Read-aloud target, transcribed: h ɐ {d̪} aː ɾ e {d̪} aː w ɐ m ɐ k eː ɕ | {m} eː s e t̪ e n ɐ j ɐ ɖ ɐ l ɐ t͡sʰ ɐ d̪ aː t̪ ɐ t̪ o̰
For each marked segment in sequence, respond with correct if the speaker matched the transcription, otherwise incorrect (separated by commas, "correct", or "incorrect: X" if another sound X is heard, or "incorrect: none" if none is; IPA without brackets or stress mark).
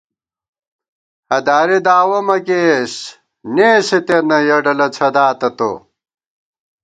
correct, correct, incorrect: n